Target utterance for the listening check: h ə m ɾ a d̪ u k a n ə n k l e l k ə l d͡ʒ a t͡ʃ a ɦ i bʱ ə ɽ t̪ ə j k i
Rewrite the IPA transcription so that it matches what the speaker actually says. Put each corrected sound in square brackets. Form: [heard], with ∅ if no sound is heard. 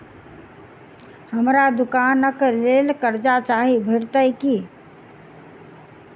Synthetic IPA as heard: h ə m ɾ a d̪ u k a n ə [∅] k l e l k ə [ɾ] d͡ʒ a t͡ʃ a ɦ i bʱ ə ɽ t̪ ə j k i